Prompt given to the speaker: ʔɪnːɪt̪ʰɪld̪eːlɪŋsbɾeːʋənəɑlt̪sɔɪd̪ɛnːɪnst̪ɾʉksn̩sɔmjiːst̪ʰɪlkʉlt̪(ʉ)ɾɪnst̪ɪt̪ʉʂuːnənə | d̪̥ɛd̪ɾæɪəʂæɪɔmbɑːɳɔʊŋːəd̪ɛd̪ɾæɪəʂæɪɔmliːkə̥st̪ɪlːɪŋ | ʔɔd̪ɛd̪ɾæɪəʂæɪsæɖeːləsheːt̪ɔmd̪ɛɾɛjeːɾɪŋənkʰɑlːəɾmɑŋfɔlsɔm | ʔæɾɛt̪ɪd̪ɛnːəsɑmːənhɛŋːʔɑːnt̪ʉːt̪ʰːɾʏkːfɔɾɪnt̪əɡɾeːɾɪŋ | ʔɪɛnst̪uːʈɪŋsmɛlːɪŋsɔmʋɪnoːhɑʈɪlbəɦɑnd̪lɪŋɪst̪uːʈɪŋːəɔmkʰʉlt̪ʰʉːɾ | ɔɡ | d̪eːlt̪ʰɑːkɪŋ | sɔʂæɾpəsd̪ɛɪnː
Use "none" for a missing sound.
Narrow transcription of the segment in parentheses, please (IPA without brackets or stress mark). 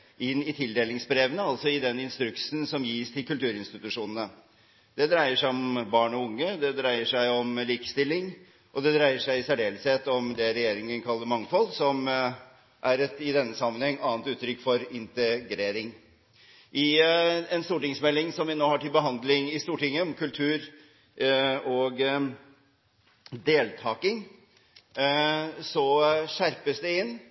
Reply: ʉː